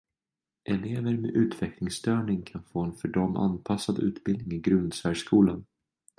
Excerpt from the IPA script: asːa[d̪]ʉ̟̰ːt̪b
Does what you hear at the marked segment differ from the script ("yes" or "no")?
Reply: no